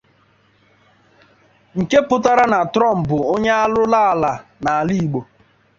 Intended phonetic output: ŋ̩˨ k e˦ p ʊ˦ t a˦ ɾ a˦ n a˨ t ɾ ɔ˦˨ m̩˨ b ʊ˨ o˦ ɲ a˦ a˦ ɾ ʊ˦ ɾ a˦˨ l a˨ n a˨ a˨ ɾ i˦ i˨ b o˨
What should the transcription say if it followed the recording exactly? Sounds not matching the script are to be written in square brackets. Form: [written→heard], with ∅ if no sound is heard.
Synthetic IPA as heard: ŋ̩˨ k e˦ p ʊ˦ t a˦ ɾ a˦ n a˨ t ɾ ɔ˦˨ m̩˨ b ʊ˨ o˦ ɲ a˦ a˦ [ɾ→l] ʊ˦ [ɾ→l] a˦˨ l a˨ n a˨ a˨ [ɾ→l] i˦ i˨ [b→ɡ͡b] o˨